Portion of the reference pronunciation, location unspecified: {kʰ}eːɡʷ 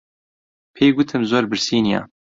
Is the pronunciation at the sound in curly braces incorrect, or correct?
incorrect